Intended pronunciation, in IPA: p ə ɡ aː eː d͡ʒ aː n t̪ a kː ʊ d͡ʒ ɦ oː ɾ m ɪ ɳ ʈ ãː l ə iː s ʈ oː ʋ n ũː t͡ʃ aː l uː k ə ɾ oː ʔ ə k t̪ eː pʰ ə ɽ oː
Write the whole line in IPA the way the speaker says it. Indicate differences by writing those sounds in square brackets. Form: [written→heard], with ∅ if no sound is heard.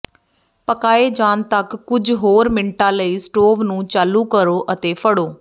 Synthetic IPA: p ə [ɡ→k] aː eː d͡ʒ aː n t̪ [a→ə] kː ʊ d͡ʒ ɦ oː ɾ m ɪ ɳ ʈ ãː l ə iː s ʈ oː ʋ n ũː t͡ʃ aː l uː k ə ɾ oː ʔ ə [k→∅] t̪ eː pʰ ə ɽ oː